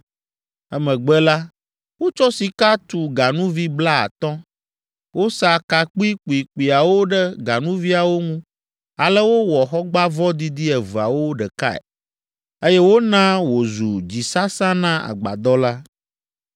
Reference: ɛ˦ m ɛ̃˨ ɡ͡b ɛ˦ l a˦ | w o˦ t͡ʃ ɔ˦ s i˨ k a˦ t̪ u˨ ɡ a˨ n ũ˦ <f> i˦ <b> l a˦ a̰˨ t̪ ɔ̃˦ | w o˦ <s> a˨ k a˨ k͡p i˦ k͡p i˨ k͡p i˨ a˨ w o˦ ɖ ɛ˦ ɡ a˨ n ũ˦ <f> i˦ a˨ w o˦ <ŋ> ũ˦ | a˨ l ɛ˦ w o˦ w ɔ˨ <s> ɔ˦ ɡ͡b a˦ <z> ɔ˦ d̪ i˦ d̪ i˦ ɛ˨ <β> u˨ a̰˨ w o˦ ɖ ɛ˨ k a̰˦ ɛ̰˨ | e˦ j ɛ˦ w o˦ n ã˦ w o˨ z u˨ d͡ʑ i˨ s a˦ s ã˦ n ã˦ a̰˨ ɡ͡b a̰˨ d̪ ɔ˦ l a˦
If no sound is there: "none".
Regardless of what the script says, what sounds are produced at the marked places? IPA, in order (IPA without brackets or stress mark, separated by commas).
v, b, s, v, ŋ, x, v, v